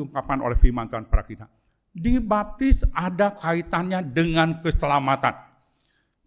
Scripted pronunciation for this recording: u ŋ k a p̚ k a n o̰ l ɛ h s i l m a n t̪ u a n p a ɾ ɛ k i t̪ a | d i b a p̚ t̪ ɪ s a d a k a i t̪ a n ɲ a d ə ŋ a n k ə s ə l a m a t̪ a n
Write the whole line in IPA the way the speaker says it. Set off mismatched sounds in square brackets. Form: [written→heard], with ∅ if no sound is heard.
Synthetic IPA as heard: u ŋ k a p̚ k a n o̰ l ɛ h [s→f] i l m a n t̪ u a n p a ɾ [ɛ→a] k i t̪ a | d i b a p̚ t̪ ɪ s a d a k a i t̪ a n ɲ a d ə ŋ a n k ə s ə l a m a t̪ a n

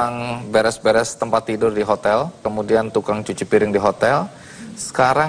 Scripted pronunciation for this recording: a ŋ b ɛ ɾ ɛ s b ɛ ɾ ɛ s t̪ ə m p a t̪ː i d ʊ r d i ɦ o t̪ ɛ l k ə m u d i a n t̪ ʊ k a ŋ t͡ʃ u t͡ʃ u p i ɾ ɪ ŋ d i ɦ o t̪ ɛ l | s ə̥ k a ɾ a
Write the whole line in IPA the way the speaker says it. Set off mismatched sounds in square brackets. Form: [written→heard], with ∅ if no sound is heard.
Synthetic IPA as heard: a ŋ b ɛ ɾ ɛ s b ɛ ɾ ɛ s t̪ ə m p a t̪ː i d ʊ r d i ɦ o t̪ ɛ l k ə m u d i a n t̪ [ʊ→u] k a ŋ t͡ʃ u t͡ʃ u p i ɾ ɪ ŋ d i ɦ o t̪ ɛ l | s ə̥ k a ɾ a

